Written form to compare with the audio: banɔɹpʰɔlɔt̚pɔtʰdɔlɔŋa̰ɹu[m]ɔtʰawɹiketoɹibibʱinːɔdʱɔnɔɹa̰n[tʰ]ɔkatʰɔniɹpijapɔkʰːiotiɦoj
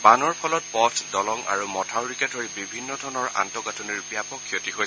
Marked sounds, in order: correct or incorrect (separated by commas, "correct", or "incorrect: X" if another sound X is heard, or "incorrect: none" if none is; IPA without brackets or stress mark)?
correct, incorrect: t